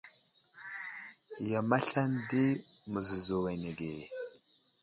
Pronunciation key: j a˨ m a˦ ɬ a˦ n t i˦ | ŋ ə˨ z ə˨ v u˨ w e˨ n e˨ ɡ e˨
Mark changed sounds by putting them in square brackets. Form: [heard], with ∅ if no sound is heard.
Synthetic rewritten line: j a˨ m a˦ ɬ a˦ n [d] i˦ | [m] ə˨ z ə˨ [z] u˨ w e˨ n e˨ ɡ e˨